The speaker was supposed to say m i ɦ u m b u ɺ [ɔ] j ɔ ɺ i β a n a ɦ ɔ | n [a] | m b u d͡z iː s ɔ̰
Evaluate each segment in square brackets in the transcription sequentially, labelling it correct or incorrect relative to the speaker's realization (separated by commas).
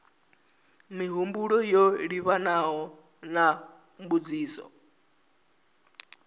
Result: correct, correct